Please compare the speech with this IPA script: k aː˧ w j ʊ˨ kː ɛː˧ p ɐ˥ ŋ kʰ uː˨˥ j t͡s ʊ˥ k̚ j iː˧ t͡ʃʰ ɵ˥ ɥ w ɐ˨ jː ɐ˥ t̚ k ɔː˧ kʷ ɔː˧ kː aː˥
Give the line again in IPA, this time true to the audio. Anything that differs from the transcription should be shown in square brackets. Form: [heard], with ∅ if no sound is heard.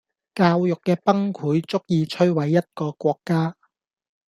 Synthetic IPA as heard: k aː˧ w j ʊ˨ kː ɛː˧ p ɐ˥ ŋ kʰ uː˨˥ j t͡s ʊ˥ k̚ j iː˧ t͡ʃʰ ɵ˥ ɥ w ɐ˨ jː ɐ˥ t̚ k ɔː˧ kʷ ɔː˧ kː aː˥